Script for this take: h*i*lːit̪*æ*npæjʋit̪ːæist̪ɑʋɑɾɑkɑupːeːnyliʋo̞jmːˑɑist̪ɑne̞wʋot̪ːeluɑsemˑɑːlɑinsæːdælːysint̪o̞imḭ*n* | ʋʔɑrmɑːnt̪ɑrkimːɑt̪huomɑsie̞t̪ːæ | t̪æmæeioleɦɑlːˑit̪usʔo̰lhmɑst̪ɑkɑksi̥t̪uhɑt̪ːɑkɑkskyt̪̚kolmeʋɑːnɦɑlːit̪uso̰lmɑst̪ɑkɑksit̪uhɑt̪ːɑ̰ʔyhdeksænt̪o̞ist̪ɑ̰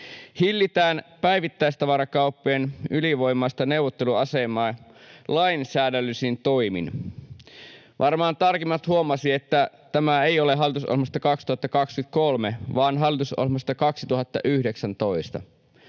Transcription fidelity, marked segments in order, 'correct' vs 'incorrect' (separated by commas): correct, incorrect, correct